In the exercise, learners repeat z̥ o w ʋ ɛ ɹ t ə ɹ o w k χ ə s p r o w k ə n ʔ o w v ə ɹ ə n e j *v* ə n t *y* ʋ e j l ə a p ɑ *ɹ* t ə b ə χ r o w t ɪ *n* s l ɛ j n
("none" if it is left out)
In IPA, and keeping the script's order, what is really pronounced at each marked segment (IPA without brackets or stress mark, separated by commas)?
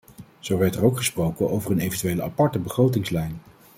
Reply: v, y, ɹ, ŋ